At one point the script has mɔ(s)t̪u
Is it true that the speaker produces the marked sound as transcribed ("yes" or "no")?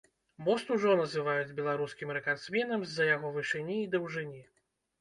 yes